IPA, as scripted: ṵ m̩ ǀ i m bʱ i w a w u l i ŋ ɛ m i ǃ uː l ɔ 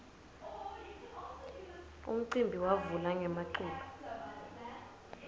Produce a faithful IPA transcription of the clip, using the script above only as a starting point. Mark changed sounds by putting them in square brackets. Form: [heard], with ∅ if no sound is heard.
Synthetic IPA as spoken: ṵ m̩ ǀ i m bʱ i w a [v] u l [a] ŋ ɛ m [a] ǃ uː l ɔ